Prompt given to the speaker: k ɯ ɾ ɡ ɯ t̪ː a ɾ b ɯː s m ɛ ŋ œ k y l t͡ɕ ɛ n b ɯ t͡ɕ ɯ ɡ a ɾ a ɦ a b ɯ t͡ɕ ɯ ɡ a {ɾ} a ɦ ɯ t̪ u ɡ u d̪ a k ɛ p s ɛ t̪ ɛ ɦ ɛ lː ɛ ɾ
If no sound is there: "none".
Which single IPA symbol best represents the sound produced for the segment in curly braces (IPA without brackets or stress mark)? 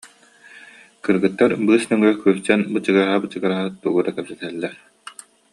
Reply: ɾ